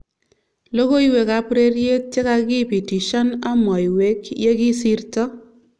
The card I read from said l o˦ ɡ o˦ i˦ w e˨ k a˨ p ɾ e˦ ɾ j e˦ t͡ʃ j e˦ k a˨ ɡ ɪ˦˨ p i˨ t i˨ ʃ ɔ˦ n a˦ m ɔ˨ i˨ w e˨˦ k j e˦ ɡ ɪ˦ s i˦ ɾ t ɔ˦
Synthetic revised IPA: l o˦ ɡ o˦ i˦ w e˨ k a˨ p ɾ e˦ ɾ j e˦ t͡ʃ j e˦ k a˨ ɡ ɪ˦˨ p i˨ t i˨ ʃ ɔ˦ n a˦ m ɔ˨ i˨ w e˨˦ k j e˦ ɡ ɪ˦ s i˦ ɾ t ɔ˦